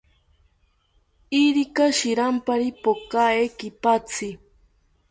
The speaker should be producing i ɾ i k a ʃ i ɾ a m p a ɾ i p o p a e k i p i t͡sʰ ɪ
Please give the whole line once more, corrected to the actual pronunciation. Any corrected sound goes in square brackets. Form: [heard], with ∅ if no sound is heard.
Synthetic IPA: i ɾ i k a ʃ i ɾ a m p a ɾ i p o [k] a e k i p [a] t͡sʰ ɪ